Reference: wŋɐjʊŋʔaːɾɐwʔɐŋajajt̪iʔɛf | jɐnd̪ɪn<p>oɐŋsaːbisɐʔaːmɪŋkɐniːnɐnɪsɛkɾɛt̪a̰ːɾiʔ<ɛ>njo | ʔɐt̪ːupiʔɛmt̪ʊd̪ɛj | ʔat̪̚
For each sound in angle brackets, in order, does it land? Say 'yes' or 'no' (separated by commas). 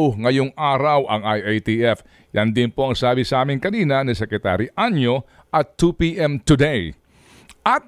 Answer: yes, no